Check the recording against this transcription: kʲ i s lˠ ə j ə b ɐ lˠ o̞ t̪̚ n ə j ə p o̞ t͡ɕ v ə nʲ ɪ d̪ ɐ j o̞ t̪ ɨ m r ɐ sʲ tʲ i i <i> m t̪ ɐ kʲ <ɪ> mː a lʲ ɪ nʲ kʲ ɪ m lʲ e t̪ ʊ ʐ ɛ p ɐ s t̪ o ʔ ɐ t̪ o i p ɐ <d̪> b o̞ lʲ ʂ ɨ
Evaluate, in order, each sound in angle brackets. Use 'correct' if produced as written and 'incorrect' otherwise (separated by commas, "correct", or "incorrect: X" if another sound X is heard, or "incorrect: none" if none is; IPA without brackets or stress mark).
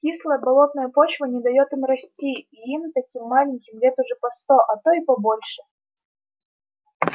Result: correct, incorrect: i, incorrect: none